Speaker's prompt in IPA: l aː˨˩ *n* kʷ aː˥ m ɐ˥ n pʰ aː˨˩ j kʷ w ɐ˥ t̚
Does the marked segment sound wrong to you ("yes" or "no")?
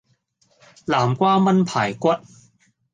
yes